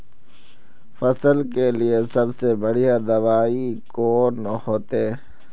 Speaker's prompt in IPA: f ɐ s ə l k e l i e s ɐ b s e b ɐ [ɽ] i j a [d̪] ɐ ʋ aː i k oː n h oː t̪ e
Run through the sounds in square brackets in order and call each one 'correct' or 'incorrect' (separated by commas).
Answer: correct, correct